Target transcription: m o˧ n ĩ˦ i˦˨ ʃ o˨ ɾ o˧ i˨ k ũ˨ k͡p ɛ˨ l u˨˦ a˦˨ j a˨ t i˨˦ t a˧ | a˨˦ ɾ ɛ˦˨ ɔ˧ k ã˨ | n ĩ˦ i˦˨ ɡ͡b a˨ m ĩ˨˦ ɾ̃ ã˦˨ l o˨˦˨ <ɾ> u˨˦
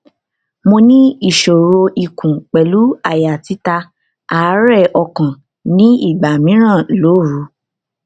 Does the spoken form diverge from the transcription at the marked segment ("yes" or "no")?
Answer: no